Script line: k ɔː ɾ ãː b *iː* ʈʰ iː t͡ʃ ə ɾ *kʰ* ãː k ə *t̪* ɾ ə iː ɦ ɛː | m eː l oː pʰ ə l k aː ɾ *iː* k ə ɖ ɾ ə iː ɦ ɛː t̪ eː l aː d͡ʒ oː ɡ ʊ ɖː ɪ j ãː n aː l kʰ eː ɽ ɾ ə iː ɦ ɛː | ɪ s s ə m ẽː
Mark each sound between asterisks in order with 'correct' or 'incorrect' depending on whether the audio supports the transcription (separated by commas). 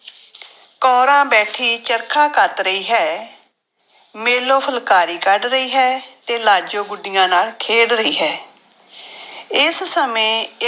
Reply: incorrect, correct, correct, correct